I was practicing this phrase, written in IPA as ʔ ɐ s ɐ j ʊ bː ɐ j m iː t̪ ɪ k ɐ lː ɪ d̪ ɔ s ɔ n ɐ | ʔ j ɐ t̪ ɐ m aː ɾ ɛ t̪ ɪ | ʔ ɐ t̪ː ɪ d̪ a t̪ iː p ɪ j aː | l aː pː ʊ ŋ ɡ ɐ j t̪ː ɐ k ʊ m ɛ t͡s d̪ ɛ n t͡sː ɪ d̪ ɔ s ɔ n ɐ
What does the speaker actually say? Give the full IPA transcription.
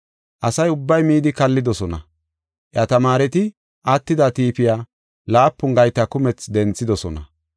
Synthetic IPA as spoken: ʔ ɐ s ɐ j ʊ bː ɐ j m iː d̪ ɪ k ɐ lː ɪ d̪ ɔ s ɔ n ɐ | ʔ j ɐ t̪ ɐ m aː ɾ ɛ t̪ ɪ | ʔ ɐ t̪ː ɪ d̪ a t̪ iː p ɪ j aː | l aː pː ʊ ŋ ɡ ɐ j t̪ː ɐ k ʊ m ɛ t͡s d̪ ɛ n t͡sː ɪ d̪ ɔ s ɔ n ɐ